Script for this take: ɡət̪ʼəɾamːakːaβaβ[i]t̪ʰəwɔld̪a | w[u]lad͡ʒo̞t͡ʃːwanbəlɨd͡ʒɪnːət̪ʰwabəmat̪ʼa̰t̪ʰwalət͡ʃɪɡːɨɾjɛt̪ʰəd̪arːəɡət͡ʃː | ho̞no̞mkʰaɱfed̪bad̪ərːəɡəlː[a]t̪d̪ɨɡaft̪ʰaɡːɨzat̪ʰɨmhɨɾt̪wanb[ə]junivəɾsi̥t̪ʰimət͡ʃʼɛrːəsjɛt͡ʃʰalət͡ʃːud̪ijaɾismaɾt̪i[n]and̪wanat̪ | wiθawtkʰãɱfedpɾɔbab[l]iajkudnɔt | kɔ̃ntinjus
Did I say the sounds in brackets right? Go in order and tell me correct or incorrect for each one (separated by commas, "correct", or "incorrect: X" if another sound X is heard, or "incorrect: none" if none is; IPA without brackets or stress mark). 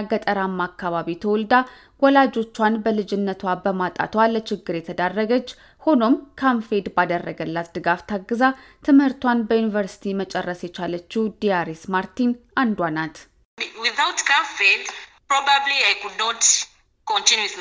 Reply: correct, incorrect: ɔ, correct, correct, correct, correct